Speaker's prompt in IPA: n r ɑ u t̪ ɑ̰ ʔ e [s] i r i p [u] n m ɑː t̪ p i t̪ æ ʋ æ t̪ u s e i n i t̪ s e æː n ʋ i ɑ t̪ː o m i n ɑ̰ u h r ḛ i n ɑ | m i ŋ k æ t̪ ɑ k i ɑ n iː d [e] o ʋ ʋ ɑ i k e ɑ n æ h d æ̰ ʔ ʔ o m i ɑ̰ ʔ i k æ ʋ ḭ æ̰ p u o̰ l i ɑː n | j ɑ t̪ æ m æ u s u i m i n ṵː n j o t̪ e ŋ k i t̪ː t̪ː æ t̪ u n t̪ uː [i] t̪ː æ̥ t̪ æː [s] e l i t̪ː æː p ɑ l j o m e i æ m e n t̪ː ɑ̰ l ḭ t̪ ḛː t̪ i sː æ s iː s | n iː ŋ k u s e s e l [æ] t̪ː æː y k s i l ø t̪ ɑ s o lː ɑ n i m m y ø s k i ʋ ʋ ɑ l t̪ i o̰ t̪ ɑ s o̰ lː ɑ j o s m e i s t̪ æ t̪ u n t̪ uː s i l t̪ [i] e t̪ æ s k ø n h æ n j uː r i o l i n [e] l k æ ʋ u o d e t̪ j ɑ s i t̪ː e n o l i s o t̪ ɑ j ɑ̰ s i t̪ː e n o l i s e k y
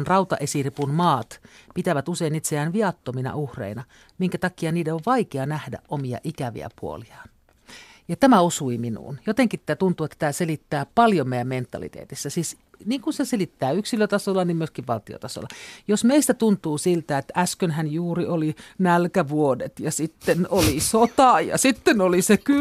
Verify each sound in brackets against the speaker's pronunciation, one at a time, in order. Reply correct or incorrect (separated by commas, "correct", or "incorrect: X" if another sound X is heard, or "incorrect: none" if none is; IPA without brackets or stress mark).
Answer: correct, correct, correct, incorrect: e, correct, incorrect: i, incorrect: æ, incorrect: æ